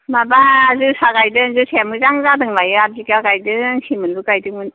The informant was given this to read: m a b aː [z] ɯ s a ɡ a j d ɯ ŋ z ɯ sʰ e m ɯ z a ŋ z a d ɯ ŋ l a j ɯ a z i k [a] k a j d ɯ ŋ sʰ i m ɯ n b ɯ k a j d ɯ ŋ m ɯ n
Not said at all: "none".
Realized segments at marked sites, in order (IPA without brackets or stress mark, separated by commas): z, a